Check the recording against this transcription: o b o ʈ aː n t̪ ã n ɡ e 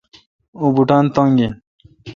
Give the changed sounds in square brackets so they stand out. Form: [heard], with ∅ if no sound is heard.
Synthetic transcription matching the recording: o b [u] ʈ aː n t̪ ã [ŋ] ɡ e